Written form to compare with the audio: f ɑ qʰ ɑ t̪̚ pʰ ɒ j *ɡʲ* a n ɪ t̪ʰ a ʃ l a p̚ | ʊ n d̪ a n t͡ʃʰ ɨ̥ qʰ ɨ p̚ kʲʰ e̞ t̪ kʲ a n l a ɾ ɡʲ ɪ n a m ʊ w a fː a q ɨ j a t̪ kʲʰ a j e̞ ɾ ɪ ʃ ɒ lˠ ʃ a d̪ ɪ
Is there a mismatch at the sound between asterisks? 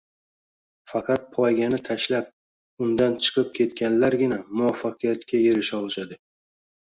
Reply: no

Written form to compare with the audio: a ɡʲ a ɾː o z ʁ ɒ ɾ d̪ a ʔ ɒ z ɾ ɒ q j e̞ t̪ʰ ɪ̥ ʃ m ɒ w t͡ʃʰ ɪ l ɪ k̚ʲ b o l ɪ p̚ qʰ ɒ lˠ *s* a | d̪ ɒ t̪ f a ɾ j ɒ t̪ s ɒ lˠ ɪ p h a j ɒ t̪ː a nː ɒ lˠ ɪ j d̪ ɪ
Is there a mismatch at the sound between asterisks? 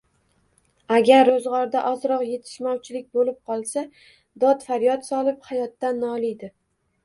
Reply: no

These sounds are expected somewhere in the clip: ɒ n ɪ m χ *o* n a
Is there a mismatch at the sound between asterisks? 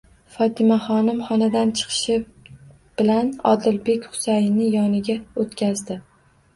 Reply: yes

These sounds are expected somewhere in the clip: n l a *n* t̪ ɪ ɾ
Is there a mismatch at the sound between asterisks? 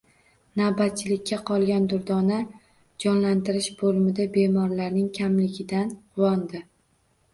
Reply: no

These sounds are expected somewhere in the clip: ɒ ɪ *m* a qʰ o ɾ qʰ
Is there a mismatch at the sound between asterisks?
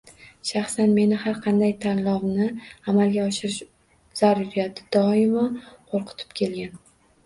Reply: no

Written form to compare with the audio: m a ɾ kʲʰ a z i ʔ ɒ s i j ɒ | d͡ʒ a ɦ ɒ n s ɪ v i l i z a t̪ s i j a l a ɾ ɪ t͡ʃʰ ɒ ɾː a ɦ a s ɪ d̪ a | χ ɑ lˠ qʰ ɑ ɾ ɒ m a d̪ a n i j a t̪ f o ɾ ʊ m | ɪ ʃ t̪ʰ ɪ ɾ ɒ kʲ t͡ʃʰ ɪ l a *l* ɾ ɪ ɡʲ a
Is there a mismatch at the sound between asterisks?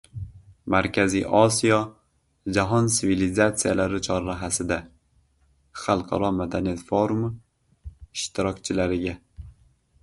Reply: yes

